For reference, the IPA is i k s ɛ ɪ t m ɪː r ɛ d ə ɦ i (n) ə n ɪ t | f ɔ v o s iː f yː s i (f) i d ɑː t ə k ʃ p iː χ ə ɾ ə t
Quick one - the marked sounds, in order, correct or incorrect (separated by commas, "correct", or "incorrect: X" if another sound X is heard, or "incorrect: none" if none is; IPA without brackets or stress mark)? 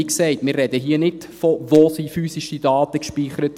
incorrect: none, incorrect: ʃ